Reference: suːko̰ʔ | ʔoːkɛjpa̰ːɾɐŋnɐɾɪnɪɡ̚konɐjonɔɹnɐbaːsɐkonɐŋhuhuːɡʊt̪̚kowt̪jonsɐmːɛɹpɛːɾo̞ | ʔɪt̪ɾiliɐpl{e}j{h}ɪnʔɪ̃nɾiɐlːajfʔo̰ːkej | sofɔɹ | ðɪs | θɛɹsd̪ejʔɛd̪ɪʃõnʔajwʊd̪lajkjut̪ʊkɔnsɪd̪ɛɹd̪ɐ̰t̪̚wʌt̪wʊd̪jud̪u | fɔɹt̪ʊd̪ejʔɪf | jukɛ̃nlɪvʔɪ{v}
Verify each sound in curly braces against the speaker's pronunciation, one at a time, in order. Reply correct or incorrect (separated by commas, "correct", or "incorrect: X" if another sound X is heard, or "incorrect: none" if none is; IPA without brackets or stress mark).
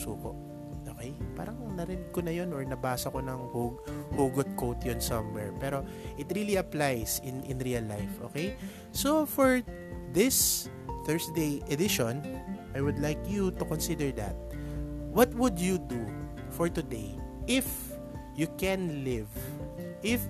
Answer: incorrect: a, incorrect: s, incorrect: f